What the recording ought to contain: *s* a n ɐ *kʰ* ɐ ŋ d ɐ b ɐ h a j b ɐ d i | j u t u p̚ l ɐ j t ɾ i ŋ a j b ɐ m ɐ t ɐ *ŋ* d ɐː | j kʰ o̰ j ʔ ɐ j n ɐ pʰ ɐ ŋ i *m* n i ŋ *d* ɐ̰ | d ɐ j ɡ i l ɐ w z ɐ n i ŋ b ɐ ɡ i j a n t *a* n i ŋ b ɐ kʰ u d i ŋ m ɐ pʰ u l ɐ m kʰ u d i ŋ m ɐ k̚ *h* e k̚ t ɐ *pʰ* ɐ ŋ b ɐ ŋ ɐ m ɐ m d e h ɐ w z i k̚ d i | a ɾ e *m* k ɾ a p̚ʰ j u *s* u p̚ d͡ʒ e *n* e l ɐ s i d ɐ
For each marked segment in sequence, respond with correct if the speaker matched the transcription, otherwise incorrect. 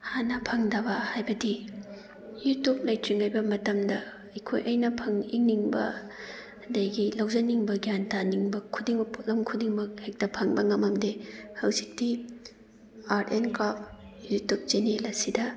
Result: incorrect, incorrect, incorrect, incorrect, incorrect, correct, correct, correct, incorrect, incorrect, correct

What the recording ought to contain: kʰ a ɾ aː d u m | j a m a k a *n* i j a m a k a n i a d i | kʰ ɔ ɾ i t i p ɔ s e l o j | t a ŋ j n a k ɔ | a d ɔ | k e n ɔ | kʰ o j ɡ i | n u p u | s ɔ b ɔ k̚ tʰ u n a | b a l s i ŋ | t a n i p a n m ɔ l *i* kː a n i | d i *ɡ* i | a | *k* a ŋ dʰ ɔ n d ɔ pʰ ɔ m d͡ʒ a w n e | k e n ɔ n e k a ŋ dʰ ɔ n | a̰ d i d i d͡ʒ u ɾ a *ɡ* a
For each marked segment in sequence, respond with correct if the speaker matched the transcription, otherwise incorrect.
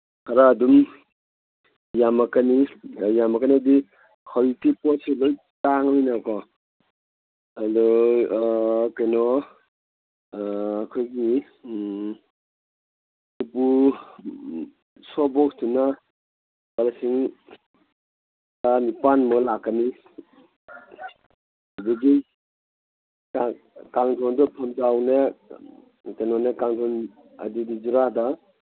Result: correct, incorrect, correct, correct, incorrect

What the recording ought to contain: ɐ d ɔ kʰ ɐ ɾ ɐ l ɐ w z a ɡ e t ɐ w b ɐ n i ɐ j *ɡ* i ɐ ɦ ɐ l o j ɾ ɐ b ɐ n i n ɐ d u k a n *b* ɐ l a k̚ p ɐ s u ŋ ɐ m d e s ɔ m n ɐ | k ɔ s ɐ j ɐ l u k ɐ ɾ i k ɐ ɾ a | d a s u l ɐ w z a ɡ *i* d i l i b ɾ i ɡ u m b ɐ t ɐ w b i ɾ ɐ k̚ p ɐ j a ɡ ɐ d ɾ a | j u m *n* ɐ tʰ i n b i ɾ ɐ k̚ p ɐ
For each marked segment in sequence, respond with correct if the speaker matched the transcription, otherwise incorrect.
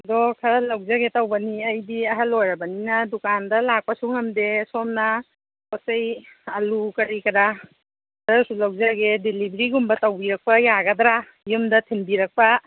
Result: incorrect, incorrect, incorrect, incorrect

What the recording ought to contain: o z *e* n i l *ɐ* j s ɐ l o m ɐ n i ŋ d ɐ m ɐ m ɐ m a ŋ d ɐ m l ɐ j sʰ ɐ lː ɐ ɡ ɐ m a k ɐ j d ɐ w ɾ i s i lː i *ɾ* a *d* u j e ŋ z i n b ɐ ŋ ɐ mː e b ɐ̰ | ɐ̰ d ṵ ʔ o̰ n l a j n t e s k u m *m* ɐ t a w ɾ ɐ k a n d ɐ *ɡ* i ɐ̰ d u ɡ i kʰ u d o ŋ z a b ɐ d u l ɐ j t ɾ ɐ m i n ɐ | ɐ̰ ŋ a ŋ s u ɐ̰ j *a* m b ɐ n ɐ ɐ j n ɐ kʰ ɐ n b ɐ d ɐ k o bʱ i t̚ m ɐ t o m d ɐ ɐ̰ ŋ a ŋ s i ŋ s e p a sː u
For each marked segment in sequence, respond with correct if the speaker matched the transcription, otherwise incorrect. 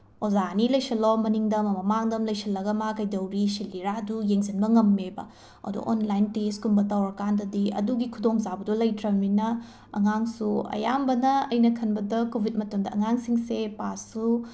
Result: incorrect, correct, correct, correct, incorrect, incorrect, correct

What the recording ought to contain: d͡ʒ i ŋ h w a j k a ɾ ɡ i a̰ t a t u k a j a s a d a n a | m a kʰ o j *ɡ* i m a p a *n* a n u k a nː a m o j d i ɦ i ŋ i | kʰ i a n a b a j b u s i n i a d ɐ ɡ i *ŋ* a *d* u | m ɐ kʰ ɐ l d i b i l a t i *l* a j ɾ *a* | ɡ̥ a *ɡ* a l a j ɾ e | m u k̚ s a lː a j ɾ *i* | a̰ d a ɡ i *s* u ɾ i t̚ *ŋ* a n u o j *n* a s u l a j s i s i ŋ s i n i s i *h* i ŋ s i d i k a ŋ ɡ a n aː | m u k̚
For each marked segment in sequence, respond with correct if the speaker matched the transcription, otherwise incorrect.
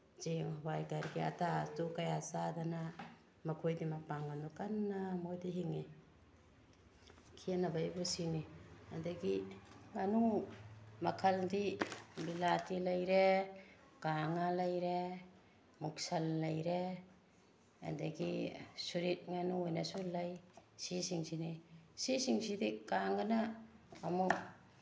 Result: incorrect, incorrect, correct, incorrect, correct, incorrect, incorrect, incorrect, correct, correct, correct, incorrect

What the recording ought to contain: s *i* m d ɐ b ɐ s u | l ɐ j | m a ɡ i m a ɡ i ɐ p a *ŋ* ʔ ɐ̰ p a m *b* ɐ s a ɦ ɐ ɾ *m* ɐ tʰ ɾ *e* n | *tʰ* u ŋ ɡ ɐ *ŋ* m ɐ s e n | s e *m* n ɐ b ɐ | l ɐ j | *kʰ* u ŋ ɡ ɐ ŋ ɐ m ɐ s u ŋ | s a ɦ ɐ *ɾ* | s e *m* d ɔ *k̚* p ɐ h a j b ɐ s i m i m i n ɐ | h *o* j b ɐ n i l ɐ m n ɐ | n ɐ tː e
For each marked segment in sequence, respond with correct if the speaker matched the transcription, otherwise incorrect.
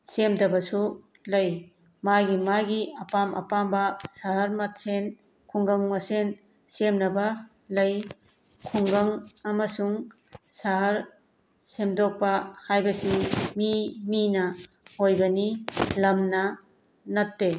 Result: incorrect, incorrect, correct, correct, correct, incorrect, correct, correct, correct, correct, correct, correct, correct

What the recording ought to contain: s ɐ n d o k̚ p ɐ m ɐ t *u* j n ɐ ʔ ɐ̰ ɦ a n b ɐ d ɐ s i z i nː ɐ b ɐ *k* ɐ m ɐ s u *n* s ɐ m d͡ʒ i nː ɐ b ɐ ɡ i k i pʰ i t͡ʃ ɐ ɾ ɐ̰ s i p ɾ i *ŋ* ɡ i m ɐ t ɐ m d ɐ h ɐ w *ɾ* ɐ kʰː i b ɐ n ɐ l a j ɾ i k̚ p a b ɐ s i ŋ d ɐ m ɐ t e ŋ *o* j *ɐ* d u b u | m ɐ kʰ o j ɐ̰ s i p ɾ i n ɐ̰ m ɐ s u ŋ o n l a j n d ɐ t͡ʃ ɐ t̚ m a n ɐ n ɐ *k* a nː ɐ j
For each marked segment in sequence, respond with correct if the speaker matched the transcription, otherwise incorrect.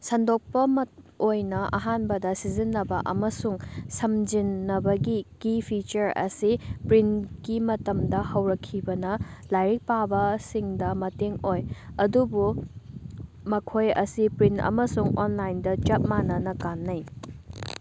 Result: incorrect, incorrect, incorrect, incorrect, correct, correct, correct, correct

